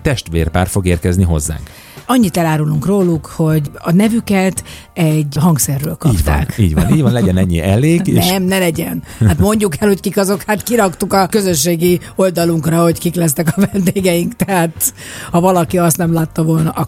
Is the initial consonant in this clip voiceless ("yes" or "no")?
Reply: yes